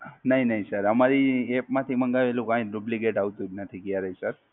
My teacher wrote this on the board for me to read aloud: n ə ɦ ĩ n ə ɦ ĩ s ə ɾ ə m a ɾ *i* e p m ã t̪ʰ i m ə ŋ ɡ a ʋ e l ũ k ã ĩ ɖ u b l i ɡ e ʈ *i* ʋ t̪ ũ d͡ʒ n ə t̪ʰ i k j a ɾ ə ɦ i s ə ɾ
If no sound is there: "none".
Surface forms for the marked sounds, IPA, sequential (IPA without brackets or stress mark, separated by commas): i, a